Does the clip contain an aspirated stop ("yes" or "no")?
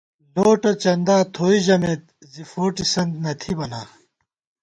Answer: yes